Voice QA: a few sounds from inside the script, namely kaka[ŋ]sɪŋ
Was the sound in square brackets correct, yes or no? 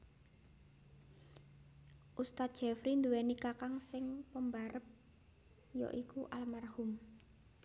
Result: yes